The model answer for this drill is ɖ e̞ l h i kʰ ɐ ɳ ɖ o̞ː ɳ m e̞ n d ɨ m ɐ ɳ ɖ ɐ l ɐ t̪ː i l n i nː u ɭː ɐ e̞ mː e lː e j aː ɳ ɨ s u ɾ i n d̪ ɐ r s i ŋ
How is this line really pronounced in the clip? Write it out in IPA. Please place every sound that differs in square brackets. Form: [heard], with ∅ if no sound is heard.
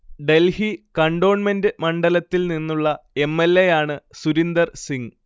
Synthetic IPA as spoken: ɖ e̞ l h i [k] ɐ ɳ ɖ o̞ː ɳ m e̞ n d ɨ m ɐ ɳ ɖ ɐ l ɐ t̪ː i l n i nː u ɭː ɐ e̞ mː e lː e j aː ɳ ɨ s u ɾ i n d̪ ɐ r s i ŋ